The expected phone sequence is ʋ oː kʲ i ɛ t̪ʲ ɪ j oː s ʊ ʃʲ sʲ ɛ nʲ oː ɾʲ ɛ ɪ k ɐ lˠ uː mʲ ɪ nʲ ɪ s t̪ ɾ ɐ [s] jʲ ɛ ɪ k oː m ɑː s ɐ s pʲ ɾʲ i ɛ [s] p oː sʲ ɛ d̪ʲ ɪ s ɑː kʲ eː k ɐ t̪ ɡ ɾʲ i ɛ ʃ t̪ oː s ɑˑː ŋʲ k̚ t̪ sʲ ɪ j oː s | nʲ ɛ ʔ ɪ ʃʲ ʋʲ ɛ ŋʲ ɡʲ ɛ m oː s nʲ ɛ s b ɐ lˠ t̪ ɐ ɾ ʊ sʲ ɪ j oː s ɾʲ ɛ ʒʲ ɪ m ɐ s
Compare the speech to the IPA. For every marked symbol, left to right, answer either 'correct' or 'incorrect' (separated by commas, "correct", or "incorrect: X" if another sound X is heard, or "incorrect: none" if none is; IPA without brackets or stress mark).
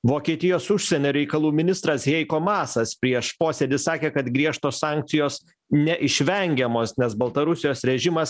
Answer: correct, incorrect: ʃ